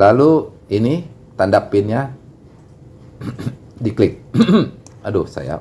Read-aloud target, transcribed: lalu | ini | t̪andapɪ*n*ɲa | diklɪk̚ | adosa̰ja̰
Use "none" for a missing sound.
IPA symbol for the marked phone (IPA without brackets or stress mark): n